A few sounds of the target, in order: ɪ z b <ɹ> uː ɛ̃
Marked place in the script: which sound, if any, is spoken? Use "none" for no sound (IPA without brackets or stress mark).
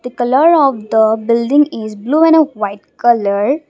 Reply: l